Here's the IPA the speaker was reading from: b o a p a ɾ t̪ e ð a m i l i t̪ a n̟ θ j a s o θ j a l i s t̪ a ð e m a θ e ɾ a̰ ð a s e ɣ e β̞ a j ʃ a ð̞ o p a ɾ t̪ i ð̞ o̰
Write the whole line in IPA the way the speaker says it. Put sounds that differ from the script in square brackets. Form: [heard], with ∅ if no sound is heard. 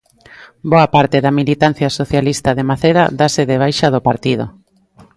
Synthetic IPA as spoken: b o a p a ɾ t̪ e ð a m i l i t̪ a n̟ θ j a s o θ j a l i s t̪ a ð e m a θ e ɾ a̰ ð a s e [ð] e β̞ a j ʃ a ð̞ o p a ɾ t̪ i ð̞ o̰